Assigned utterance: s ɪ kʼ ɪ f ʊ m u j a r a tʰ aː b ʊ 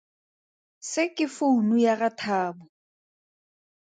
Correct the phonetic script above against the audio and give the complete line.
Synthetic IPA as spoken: s ɪ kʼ ɪ f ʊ n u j a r a tʰ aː b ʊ